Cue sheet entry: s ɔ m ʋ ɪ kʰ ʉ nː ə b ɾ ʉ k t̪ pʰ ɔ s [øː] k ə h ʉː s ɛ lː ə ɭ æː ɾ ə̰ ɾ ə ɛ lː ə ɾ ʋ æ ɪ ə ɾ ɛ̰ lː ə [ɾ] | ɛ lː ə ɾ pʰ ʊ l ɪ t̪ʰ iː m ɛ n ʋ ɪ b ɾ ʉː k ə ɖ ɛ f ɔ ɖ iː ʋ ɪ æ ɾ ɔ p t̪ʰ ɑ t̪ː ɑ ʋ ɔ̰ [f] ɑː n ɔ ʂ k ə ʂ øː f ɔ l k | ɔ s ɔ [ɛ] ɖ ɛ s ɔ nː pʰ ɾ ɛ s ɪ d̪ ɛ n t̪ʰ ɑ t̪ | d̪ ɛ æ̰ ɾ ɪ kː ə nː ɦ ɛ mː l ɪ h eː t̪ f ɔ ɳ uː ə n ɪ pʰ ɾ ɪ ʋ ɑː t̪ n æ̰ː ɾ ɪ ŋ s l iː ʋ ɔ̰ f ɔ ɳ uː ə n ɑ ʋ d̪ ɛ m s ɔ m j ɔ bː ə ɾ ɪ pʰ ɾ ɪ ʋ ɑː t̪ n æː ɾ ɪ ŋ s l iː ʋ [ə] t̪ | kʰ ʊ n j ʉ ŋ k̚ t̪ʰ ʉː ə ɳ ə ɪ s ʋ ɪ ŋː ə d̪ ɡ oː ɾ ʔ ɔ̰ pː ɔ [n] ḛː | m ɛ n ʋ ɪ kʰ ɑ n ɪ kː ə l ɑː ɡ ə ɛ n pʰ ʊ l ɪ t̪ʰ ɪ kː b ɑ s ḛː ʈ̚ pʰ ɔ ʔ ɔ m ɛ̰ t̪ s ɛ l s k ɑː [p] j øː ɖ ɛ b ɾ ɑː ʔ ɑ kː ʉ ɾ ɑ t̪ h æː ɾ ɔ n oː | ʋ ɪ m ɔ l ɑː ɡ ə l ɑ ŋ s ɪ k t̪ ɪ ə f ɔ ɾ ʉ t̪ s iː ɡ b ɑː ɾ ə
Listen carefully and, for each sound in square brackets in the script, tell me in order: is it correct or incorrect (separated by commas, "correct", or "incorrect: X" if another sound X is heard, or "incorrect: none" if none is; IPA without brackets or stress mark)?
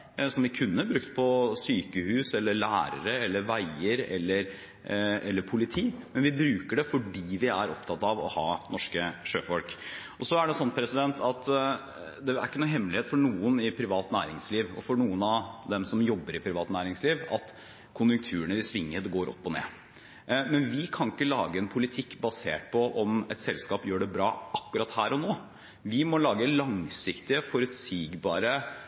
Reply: incorrect: yː, correct, incorrect: h, incorrect: æ, incorrect: ɑ, correct, correct